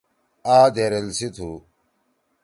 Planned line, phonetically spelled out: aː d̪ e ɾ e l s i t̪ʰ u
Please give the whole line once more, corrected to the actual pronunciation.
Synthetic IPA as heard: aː d̪ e ɾ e l s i t̪ʰ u